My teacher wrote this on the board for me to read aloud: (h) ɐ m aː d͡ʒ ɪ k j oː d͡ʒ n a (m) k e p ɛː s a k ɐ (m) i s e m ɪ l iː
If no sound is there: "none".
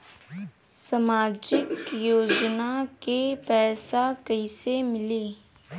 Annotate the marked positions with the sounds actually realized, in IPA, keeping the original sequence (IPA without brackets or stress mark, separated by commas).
s, none, none